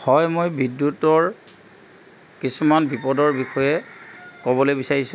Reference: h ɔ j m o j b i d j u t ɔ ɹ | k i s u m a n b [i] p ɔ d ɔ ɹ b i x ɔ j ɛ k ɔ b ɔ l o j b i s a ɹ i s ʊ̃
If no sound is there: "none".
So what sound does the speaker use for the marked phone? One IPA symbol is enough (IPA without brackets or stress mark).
i